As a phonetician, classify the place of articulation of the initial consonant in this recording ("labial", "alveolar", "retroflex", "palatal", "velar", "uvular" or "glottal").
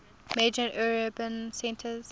labial